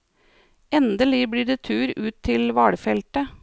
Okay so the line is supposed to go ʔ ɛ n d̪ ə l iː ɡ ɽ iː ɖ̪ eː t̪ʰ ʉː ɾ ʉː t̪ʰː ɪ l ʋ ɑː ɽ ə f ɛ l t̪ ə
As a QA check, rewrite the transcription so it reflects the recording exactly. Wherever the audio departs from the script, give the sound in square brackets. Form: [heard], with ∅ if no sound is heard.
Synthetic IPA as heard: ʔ ɛ n d̪ ə l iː [b] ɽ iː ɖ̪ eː t̪ʰ ʉː ɾ ʉː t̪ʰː ɪ l ʋ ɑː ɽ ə f ɛ l t̪ ə